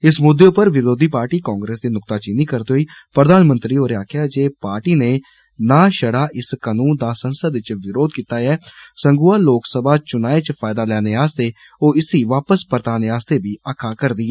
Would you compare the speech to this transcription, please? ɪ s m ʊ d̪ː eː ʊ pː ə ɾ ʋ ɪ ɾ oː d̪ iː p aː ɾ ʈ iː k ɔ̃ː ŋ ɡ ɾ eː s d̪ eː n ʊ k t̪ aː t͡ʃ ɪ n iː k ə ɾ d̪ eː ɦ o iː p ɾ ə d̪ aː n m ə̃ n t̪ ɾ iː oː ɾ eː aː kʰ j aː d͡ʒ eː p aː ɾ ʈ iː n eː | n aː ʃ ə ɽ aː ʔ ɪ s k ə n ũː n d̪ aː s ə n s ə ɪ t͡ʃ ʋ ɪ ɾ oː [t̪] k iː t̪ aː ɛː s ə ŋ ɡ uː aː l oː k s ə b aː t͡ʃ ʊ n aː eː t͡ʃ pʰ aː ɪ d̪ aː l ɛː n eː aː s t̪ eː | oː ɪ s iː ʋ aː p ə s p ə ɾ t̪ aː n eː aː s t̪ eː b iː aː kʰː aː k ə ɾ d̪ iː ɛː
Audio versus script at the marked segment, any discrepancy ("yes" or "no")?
yes